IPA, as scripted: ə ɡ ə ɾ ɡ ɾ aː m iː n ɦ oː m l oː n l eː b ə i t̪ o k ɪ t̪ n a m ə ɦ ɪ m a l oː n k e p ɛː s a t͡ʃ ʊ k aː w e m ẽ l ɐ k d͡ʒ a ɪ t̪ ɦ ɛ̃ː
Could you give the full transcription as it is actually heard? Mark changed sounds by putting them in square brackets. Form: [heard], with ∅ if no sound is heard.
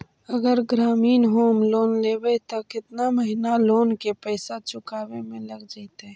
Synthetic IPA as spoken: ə ɡ ə ɾ ɡ ɾ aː m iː n ɦ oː m l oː n l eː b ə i t̪ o k ɪ t̪ n a m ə ɦ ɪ [n] a l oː n k e p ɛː s a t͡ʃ ʊ k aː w e m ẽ l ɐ [ɡ] d͡ʒ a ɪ t̪ ɦ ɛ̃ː